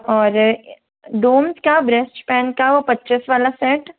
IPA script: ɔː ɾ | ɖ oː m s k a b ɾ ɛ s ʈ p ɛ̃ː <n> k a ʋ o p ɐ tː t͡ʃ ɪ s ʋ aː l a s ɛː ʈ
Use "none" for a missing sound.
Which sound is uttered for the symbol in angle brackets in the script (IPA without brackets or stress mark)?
n